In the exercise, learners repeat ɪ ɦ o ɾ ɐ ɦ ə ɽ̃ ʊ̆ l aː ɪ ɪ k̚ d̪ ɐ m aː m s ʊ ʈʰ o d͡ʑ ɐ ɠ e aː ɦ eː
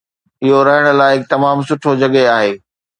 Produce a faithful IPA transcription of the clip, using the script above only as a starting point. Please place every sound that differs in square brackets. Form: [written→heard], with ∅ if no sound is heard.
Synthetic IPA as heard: ɪ ɦ o ɾ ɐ ɦ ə ɽ̃ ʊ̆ l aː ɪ ɪ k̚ [d̪→t̪] ɐ m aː m s ʊ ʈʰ o d͡ʑ ɐ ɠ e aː ɦ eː